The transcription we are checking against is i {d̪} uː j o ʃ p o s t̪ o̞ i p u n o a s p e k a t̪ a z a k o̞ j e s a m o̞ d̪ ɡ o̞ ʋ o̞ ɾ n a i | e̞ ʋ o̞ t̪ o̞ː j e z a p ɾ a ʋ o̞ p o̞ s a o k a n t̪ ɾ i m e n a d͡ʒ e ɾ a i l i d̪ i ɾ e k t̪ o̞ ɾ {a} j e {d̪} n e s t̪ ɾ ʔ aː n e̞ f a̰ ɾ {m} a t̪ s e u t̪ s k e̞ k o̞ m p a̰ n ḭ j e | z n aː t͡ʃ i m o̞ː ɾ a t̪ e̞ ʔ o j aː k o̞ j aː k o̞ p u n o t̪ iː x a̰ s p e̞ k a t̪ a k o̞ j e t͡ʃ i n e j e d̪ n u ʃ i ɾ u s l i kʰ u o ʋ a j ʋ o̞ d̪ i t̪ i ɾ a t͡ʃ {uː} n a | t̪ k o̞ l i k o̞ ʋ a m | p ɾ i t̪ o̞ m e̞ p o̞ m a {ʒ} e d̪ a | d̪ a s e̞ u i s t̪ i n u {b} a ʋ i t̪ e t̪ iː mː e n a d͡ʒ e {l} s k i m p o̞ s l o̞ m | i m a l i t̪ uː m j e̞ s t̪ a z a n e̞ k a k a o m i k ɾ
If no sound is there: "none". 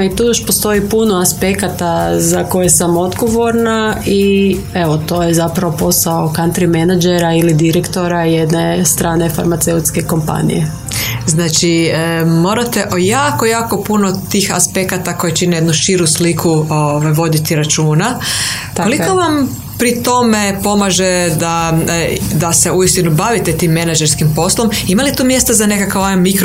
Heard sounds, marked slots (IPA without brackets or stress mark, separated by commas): t̪, a, d̪, m, uː, ʒ, b, ɾ